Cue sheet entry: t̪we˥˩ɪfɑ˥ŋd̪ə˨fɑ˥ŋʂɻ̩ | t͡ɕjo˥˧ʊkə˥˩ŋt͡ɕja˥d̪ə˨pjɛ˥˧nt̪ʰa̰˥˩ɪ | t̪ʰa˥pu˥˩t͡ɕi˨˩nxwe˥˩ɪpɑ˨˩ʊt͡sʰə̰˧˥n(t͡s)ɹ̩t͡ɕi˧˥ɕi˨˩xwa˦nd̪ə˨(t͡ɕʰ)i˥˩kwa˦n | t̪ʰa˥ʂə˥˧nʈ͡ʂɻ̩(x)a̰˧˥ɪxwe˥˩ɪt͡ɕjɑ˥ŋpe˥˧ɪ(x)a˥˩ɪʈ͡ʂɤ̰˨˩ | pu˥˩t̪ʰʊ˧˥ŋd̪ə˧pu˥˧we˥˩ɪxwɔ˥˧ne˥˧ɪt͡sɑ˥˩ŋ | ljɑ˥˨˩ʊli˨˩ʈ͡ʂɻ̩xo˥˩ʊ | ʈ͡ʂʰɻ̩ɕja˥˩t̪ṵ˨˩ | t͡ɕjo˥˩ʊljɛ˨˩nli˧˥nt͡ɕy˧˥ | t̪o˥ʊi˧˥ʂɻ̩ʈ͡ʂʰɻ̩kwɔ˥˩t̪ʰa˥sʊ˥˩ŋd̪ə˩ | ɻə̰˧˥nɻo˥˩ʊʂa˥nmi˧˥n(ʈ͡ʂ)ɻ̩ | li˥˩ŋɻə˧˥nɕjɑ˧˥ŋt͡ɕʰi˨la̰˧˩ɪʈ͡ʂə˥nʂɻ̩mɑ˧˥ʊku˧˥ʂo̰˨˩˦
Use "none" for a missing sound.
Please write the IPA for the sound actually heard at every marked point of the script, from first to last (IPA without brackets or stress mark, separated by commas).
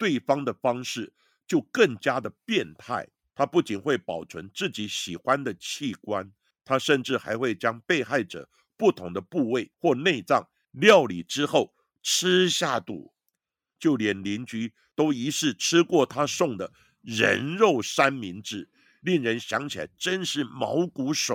t͡s, t͡ɕʰ, x, x, ʈ͡ʂ